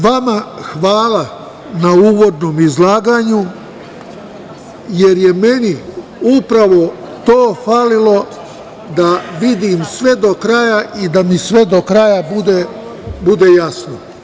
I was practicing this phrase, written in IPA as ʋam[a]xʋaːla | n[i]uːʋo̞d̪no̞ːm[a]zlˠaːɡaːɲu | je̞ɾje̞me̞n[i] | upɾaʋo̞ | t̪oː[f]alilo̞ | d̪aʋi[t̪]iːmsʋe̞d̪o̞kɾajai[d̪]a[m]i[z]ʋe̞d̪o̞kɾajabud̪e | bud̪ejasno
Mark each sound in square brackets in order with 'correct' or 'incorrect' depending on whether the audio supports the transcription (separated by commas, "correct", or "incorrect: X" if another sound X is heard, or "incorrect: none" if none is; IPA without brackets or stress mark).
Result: correct, incorrect: a, incorrect: i, correct, correct, incorrect: d̪, correct, correct, incorrect: s